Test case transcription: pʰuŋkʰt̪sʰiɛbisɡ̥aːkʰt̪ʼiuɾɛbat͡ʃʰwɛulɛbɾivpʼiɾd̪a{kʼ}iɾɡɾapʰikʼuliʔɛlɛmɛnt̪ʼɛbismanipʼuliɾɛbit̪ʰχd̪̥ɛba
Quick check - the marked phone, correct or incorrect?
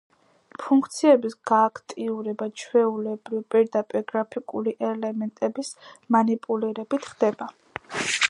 incorrect